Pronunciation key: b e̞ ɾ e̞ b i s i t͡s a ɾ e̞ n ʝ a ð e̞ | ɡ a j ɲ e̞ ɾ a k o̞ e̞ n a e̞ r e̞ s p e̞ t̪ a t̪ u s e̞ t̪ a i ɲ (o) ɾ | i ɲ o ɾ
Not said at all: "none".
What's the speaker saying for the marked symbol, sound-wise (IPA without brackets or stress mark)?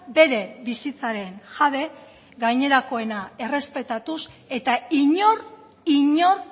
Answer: o